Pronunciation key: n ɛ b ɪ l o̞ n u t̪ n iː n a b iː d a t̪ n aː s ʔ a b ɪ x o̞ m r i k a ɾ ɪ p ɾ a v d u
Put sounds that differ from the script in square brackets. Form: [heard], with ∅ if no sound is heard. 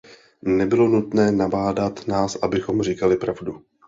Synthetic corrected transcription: n ɛ b ɪ l o̞ n u t̪ n [ɛː] n a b [aː] d a t̪ n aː s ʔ a b ɪ x o̞ m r i k a [l] ɪ p ɾ a v d u